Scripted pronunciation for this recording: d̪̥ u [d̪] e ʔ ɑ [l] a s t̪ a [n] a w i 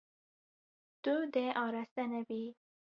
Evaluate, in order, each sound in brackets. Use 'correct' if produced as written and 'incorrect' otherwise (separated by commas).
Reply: correct, incorrect, correct